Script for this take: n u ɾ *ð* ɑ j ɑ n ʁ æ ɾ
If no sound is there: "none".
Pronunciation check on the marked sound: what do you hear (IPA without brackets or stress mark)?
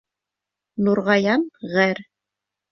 ʁ